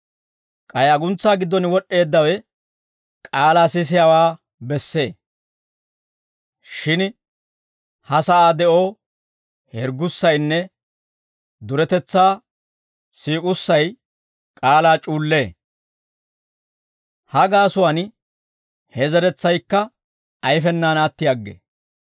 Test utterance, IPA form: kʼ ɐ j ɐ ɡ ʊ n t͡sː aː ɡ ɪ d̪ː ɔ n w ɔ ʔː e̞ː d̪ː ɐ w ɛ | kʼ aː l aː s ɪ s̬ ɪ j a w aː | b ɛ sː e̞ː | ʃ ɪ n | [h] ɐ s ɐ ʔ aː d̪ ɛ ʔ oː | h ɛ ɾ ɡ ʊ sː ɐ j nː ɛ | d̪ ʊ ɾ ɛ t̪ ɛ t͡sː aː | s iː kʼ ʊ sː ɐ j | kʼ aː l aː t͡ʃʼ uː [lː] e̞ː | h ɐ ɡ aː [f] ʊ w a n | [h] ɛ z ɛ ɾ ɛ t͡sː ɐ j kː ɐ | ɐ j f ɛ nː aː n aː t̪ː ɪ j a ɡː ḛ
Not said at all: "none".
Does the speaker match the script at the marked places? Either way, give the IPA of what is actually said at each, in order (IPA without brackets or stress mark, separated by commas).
h, lː, s, h